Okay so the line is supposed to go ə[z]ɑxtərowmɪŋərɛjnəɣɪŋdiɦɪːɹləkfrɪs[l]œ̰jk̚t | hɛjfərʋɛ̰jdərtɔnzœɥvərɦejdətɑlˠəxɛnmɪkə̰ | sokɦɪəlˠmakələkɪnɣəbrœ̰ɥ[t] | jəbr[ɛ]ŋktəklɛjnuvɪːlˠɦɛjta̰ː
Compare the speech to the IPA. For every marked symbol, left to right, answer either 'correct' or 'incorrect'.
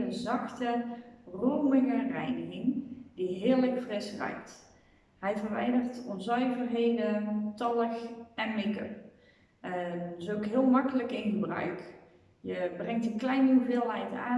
correct, incorrect, incorrect, correct

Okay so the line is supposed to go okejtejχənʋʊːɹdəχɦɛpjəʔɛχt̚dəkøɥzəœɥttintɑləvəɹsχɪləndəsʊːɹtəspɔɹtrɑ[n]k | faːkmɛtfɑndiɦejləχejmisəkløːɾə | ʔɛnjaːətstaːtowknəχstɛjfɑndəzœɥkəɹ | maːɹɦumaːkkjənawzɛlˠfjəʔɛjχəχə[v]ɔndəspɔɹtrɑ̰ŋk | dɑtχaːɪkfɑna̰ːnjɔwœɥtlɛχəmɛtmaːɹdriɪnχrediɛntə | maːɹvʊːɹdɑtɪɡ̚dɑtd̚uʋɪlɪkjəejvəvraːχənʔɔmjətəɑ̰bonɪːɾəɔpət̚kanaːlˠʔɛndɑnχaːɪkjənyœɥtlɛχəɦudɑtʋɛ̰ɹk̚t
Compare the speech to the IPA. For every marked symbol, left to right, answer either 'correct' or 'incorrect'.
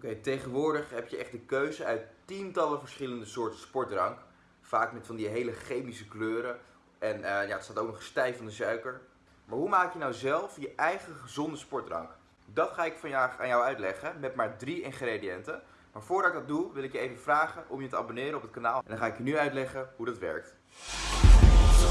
incorrect, incorrect

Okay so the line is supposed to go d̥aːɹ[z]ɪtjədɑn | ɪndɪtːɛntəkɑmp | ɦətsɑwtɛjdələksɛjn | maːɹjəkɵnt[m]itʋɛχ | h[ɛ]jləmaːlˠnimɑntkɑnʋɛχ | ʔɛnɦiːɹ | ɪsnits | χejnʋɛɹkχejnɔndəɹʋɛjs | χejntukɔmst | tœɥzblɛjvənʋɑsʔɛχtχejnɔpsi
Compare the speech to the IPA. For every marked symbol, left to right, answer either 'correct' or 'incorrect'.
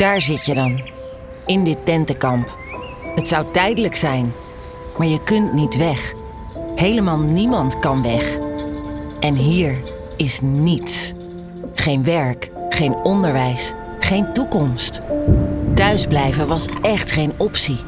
correct, incorrect, incorrect

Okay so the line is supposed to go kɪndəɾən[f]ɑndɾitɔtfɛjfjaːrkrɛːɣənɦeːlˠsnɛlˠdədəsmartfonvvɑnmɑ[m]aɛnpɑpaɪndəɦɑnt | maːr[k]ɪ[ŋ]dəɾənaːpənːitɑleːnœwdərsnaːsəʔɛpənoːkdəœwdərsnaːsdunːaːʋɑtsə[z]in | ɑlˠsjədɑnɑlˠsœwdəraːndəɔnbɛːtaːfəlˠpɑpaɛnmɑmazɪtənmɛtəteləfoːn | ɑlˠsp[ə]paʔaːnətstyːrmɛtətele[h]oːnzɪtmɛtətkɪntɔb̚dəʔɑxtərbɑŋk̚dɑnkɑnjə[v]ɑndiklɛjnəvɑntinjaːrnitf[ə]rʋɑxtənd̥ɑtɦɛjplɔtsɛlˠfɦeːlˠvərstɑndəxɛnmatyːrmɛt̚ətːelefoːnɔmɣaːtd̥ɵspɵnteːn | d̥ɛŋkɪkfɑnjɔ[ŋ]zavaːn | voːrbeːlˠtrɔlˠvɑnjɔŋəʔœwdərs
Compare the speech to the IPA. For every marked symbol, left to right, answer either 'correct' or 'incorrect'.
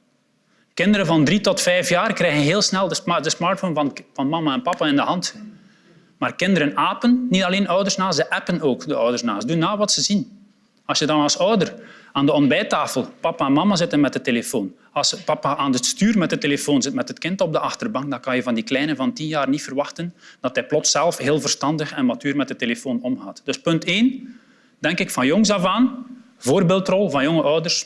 incorrect, correct, correct, incorrect, correct, incorrect, incorrect, correct, correct, correct

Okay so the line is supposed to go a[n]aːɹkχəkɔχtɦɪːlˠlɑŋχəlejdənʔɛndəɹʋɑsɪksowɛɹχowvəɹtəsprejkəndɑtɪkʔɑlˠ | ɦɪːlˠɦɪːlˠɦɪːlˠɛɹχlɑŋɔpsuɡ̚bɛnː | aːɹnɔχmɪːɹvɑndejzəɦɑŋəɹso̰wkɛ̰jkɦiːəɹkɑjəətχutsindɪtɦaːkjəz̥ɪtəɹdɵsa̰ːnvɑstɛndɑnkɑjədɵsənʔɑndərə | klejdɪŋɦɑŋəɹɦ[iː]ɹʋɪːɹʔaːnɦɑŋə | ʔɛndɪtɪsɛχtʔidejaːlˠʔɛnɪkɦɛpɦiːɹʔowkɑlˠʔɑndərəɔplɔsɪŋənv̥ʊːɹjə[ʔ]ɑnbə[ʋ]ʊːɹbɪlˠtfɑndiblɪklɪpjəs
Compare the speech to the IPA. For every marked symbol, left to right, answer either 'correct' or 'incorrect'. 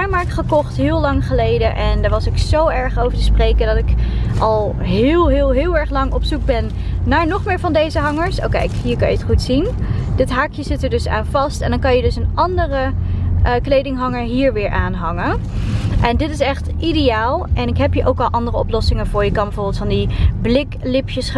incorrect, correct, incorrect, incorrect

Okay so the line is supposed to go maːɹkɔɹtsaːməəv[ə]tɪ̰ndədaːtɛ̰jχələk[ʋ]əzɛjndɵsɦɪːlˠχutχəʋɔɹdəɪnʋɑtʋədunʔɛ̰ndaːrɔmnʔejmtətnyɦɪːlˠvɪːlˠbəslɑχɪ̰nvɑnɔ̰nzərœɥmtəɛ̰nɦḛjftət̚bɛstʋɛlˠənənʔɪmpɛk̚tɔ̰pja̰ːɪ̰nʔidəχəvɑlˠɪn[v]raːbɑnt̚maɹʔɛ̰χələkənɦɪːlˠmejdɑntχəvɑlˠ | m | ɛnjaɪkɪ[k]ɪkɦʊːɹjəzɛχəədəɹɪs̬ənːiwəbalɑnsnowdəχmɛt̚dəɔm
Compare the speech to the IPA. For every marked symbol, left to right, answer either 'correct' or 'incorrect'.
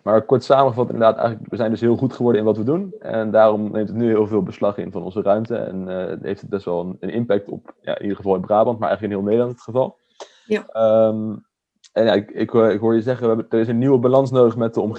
incorrect, correct, incorrect, correct

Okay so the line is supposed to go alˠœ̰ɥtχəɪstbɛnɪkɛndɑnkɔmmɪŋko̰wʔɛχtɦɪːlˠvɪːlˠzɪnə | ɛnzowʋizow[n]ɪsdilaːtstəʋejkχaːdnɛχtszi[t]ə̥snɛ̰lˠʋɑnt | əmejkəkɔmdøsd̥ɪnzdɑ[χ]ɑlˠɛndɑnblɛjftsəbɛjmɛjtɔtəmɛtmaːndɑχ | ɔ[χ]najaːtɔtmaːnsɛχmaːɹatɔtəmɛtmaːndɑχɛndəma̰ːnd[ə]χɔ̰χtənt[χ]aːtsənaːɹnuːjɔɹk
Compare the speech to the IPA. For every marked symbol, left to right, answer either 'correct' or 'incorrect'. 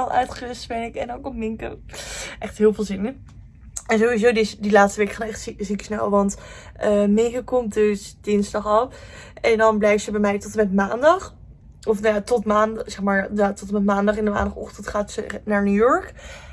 incorrect, incorrect, correct, incorrect, incorrect, correct

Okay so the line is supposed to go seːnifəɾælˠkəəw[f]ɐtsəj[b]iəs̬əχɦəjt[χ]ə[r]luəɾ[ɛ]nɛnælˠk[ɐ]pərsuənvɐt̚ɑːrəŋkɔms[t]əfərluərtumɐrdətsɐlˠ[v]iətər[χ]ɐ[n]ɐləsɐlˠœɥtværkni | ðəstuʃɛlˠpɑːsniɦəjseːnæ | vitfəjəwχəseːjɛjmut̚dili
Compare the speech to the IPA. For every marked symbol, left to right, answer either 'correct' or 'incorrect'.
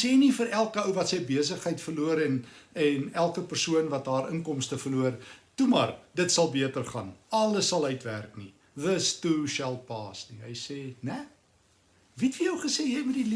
incorrect, correct, incorrect, correct, correct, incorrect, correct, incorrect, correct, correct

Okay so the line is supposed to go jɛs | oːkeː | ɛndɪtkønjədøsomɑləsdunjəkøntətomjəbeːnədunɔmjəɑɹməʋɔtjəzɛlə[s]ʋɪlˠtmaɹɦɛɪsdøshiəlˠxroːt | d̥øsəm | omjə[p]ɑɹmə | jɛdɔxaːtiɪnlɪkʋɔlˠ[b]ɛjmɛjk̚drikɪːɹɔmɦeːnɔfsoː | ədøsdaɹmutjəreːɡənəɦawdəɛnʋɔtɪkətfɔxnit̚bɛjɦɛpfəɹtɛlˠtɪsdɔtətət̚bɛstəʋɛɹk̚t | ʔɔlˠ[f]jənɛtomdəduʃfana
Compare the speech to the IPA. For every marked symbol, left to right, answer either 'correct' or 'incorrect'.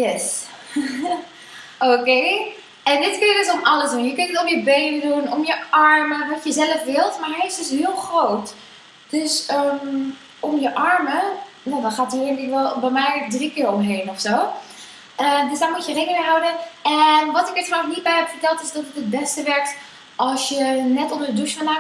incorrect, incorrect, correct, incorrect

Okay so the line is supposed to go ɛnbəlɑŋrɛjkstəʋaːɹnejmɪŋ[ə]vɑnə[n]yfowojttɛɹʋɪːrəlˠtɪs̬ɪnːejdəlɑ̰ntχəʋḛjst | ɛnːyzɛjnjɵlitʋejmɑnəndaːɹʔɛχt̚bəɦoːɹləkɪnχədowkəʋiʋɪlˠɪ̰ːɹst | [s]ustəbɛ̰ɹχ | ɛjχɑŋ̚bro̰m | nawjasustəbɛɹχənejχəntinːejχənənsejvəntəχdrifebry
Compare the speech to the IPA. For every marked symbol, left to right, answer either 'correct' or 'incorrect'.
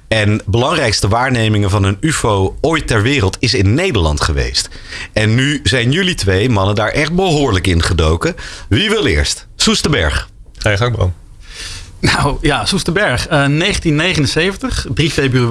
correct, correct, correct

